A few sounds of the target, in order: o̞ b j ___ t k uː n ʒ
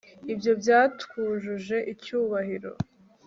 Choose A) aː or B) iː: A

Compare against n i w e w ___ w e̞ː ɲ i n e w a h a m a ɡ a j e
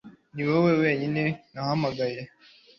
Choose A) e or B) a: A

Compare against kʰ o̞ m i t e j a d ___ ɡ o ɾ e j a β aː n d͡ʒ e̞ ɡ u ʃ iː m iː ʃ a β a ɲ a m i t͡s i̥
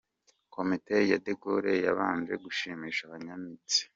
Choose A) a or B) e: B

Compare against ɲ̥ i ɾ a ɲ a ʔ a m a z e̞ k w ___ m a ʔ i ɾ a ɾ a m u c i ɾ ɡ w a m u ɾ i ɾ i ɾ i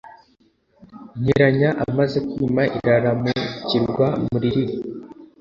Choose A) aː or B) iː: B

